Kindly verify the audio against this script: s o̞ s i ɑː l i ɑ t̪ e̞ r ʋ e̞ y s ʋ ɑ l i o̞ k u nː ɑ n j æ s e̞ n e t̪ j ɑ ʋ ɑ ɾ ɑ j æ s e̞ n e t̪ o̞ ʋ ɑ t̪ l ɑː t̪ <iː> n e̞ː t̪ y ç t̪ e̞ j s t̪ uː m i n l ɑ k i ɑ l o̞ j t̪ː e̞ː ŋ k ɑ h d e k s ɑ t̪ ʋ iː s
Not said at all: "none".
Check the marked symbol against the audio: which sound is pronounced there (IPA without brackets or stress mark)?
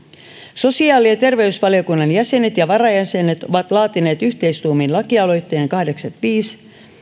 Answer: i